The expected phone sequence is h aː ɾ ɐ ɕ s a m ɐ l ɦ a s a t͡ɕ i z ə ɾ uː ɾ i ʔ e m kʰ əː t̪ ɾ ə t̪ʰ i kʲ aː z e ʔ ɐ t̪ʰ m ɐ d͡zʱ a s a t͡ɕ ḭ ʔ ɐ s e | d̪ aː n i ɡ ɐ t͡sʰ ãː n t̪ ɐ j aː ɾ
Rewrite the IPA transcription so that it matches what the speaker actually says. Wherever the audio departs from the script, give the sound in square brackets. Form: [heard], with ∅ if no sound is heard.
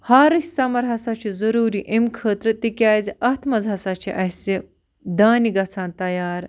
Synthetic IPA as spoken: h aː ɾ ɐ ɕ s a m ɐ [ɾ] ɦ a s a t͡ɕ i z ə ɾ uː ɾ i ʔ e m kʰ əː t̪ ɾ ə [t̪] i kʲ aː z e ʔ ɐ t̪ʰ m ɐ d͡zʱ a s a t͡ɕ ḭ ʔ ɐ s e | d̪ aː n i ɡ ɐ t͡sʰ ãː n t̪ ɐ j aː ɾ